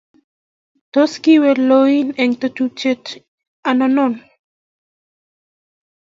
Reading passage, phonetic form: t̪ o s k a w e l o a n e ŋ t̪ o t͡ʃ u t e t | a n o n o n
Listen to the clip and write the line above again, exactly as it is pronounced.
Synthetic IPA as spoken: t̪ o s k i w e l o i n e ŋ t̪ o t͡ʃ u t͡ʃ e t | a n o n o n